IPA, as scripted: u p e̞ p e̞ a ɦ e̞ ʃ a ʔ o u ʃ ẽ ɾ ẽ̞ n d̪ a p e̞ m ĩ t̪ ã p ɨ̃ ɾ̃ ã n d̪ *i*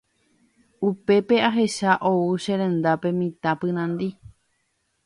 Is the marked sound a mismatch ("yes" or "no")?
no